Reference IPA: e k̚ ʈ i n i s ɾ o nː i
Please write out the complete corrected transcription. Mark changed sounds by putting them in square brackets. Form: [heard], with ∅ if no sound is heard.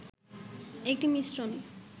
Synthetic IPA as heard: e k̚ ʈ i [m] i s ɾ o [n] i

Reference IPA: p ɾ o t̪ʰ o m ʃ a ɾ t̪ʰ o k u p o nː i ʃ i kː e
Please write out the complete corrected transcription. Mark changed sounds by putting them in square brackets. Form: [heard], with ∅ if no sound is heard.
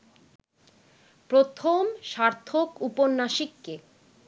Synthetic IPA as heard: p ɾ o t̪ʰ o m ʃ a ɾ t̪ʰ o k u p o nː [a] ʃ i kː e

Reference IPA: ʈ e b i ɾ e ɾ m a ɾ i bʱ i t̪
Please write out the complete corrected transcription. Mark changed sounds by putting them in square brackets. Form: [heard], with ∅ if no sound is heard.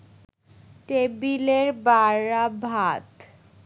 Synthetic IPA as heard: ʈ e b i [l] e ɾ [b] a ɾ [a] bʱ [a] t̪

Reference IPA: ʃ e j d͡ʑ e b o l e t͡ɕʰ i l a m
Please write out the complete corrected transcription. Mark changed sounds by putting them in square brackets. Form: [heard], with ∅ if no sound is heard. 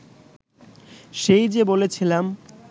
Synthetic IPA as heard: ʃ e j d͡ʑ e b o l e t͡ɕʰ i l a m

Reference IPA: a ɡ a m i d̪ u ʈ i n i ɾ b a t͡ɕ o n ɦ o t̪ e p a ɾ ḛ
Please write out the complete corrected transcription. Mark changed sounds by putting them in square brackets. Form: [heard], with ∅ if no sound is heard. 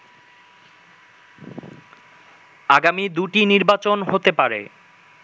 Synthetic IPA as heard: a ɡ a m i d̪ u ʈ i n i ɾ b a t͡ɕ o n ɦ o t̪ e p a ɾ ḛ

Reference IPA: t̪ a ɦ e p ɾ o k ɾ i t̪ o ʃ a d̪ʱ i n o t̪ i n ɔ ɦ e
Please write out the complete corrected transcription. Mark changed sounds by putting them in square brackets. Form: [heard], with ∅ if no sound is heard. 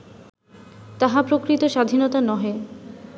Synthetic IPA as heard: t̪ a ɦ [a] p ɾ o k ɾ i t̪ o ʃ a d̪ʱ i n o t̪ [a] n ɔ ɦ e

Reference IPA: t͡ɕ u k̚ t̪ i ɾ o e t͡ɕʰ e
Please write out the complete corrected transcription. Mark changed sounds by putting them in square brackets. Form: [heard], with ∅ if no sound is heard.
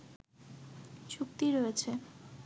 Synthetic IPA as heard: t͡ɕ u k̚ t̪ i ɾ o e t͡ɕʰ e

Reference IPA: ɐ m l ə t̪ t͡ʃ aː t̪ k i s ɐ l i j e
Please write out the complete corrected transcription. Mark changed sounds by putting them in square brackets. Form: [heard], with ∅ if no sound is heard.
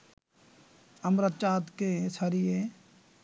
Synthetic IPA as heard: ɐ m [ɾ] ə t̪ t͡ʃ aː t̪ k [e] s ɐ [ɾ] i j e

